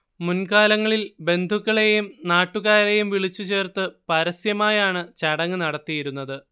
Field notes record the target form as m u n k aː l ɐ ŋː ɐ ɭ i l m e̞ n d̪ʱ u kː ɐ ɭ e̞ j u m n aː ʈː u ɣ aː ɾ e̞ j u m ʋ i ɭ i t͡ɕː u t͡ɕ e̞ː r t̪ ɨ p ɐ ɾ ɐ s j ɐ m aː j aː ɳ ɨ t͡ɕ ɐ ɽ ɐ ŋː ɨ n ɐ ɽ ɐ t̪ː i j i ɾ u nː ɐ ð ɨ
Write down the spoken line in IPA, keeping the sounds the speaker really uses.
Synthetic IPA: m u n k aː l ɐ ŋː ɐ ɭ i l b e̞ n d̪ʱ u kː ɐ ɭ e̞ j u m n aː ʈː u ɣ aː ɾ e̞ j u m ʋ i ɭ i t͡ɕː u t͡ɕ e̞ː r t̪ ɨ p ɐ ɾ ɐ s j ɐ m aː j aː ɳ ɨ t͡ɕ ɐ ɽ ɐ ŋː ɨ n ɐ ɽ ɐ t̪ː i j i ɾ u nː ɐ ð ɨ